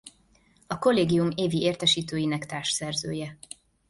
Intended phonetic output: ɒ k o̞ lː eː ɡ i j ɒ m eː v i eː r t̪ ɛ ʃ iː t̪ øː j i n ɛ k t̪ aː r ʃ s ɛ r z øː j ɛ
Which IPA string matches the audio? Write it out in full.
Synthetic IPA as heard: ɒ k o̞ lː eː ɡ i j u m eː v i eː r t̪ ɛ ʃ iː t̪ øː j i n ɛ k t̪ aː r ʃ s ɛ r z øː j ɛ

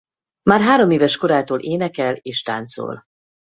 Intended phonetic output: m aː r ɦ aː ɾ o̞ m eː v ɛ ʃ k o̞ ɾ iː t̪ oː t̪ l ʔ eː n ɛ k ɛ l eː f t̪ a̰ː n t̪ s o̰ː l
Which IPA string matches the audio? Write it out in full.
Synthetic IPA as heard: m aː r ɦ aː ɾ o̞ m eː v ɛ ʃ k o̞ ɾ aː t̪ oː l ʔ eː n ɛ k ɛ l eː ʃ t̪ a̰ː n t̪ s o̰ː l

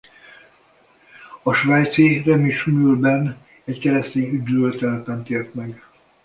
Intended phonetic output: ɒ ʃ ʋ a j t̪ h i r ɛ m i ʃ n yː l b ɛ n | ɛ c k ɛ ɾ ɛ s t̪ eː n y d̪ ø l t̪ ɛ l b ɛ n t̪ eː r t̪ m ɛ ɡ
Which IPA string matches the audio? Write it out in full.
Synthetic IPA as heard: ɒ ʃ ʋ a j t̪ s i r ɛ m i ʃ m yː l b ɛ n | ɛ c k ɛ ɾ ɛ s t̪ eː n y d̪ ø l t̪ ɛ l p ɛ n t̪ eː r t̪ m ɛ ɡ

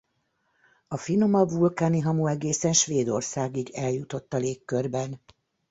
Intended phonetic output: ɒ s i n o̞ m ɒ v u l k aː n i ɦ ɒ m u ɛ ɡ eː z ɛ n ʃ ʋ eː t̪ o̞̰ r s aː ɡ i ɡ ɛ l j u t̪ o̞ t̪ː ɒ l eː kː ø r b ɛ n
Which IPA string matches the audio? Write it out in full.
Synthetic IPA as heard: ɒ f i n o̞ m ɒ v u l k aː n i ɦ ɒ m u ɛ ɡ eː s ɛ n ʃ ʋ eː d̪ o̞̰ r s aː ɡ i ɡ ɛ l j u t̪ o̞ t̪ː ɒ l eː kː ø r b ɛ n

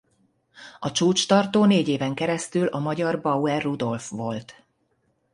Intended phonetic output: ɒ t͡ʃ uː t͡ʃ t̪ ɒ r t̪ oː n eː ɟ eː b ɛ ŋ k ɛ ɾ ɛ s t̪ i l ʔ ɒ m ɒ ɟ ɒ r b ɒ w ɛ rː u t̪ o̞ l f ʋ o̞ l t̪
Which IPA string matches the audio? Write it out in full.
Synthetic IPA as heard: ɒ t͡ʃ uː t͡ʃ t̪ ɒ r t̪ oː n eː ɟ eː v ɛ ŋ k ɛ ɾ ɛ s t̪ y l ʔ ɒ m ɒ ɟ ɒ r b ɒ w ɛ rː u d̪ o̞ l f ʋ o̞ l t̪

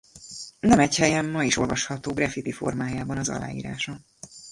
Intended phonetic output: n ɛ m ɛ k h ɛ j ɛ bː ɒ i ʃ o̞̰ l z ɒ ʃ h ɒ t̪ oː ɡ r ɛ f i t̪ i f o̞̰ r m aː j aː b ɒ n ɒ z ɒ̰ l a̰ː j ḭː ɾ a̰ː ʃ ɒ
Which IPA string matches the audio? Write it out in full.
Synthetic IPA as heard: n ɛ m ɛ c h ɛ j ɛ mː ɒ i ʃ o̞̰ l v ɒ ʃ h ɒ t̪ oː ɡ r ɛ f i t̪ i f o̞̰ r m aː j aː b ɒ n ɒ z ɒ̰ l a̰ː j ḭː ɾ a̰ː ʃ ɒ

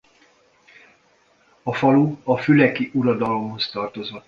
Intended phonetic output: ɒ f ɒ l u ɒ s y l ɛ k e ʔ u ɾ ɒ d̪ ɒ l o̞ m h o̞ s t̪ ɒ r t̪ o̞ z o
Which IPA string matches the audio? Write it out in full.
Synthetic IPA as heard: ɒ f ɒ l u ɒ f y l ɛ k i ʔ u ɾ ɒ d̪ ɒ l o̞ m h o̞ s t̪ ɒ r t̪ o̞ z o

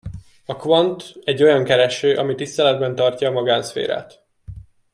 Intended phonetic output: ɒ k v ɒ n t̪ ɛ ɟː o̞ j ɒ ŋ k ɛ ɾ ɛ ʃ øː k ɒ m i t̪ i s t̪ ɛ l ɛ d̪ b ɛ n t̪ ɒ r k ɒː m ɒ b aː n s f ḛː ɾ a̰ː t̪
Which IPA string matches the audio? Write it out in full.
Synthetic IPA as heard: ɒ k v ɒ n t̪ ɛ ɟː o̞ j ɒ ŋ k ɛ ɾ ɛ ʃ øː ʔ ɒ m i t̪ i s t̪ ɛ l ɛ d̪ b ɛ n t̪ ɒ r c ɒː m ɒ ɡ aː n s f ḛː ɾ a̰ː t̪

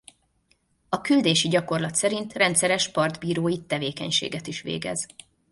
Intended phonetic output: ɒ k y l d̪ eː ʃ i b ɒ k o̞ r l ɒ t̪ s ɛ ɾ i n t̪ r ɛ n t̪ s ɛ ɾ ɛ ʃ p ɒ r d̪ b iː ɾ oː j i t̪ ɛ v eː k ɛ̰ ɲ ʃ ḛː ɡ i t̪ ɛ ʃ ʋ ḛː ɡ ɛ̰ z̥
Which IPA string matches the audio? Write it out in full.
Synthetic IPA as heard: ɒ k y l d̪ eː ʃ i ɟ ɒ k o̞ r l ɒ t̪ s ɛ ɾ i n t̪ r ɛ n t̪ s ɛ ɾ ɛ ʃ p ɒ r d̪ b iː ɾ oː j i t̪ ɛ v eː k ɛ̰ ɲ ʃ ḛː ɡ ɛ t̪ i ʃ ʋ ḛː ɡ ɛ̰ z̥

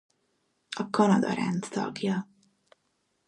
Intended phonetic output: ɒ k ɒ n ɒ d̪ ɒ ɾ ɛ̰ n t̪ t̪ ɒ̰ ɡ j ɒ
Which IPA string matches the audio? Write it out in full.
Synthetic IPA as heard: ɒ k ɒ n ɒ d̪ ɒ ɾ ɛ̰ n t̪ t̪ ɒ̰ ɡ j ɒ

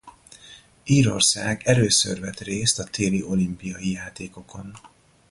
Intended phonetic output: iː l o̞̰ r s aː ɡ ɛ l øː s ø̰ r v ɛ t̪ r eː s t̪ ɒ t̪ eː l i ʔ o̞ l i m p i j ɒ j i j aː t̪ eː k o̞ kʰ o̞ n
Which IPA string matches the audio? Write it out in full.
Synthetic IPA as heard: iː ɾ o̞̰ r s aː ɡ ɛ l øː s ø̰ r v ɛ t̪ r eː s t̪ ɒ t̪ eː l i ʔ o̞ l i m p i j ɒ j i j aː t̪ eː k o̞ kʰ o̞ n

